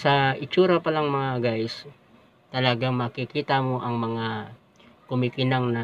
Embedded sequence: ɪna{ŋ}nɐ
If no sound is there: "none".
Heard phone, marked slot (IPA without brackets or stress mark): ŋ